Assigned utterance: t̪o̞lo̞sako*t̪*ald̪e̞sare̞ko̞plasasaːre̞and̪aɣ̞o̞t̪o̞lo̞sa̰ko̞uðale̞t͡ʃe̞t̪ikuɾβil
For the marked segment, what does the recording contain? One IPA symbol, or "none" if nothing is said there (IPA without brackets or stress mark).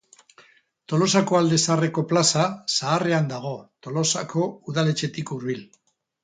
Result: none